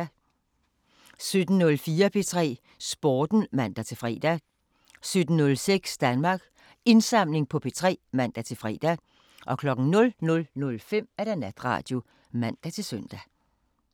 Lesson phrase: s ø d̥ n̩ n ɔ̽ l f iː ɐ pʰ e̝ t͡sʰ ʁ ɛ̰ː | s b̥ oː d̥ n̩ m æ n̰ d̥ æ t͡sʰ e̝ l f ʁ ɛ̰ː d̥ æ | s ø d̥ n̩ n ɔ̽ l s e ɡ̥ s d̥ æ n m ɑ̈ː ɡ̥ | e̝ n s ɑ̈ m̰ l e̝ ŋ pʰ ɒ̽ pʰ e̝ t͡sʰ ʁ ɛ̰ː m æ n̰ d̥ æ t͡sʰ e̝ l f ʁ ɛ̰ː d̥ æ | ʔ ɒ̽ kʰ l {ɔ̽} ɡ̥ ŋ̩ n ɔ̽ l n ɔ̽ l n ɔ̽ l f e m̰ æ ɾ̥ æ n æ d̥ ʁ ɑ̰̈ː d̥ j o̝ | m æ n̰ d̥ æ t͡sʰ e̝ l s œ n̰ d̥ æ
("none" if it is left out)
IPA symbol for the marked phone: ɒ̽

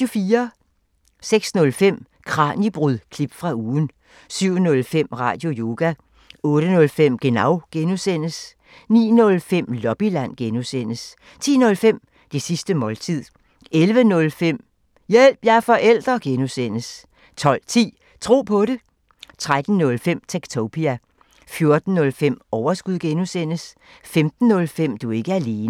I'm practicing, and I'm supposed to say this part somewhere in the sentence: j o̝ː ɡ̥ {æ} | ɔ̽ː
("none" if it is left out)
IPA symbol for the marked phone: æ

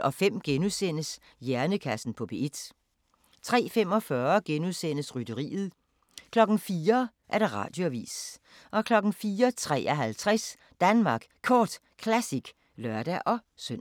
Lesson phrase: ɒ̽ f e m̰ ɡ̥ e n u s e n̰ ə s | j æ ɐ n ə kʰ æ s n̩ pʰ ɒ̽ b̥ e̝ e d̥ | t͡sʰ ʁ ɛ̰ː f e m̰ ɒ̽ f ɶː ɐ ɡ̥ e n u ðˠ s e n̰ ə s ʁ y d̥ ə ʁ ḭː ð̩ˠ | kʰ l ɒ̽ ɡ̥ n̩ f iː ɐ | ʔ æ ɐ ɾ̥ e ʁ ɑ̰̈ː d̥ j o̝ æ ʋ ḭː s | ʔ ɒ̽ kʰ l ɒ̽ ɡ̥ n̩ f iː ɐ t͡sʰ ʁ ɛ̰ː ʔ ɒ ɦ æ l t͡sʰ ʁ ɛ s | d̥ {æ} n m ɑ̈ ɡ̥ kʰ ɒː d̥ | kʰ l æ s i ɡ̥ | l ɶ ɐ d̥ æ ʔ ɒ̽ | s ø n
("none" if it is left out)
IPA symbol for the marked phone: æ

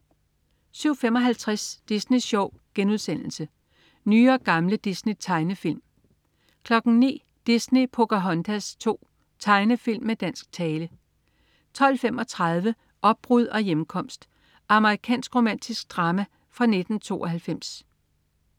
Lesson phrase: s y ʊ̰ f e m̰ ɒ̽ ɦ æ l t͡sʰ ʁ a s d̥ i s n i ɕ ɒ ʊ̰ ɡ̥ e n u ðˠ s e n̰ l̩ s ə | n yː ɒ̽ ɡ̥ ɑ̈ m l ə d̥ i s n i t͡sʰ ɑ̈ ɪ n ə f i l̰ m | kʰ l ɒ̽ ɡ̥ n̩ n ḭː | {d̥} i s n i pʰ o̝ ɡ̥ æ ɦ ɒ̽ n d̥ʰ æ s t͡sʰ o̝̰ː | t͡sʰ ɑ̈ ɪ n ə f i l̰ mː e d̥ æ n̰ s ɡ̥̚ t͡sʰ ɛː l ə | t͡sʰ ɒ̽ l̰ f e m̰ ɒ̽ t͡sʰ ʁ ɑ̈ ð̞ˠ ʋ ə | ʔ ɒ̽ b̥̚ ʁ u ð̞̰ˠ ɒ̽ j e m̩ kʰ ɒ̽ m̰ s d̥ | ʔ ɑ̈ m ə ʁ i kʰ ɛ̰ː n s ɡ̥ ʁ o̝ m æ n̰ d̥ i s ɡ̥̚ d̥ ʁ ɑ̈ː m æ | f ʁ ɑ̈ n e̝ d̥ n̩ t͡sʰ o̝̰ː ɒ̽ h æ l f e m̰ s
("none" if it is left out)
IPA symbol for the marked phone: d̥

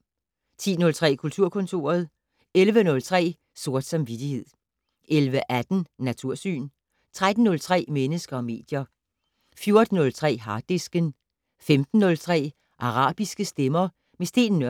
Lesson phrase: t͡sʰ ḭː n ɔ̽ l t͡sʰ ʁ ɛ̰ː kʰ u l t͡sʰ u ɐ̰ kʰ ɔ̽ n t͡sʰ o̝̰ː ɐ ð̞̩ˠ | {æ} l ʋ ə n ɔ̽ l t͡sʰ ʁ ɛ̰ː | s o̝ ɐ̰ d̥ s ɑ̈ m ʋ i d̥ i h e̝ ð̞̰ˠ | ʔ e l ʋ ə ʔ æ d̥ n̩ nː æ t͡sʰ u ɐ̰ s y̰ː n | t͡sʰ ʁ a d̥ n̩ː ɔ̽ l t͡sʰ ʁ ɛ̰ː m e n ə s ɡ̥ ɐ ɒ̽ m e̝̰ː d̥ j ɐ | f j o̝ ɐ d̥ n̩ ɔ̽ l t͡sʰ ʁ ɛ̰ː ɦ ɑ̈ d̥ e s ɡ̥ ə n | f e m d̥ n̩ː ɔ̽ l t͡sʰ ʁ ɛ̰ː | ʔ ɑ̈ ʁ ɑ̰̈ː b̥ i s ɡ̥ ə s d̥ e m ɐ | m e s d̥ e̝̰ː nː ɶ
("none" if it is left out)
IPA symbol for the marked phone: e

